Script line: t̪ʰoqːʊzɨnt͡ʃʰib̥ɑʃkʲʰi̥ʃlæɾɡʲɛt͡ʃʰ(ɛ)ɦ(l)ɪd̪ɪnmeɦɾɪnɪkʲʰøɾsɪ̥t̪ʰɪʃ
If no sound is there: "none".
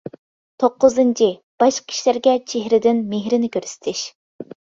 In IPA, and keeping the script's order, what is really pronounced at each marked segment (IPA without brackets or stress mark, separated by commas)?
e, ɾ